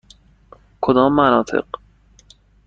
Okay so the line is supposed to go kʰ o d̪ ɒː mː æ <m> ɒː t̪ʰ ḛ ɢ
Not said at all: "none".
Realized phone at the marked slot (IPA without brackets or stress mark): n